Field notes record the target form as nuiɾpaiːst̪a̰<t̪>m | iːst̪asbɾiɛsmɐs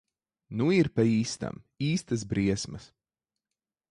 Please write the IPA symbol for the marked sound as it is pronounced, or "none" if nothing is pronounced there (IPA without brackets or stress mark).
none